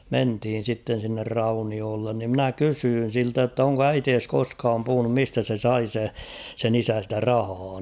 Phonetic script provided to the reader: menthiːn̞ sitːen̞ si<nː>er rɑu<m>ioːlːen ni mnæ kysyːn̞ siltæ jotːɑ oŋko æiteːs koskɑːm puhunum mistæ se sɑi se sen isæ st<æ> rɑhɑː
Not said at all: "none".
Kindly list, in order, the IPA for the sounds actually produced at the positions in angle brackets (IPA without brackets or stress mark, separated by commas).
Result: nː, n, æ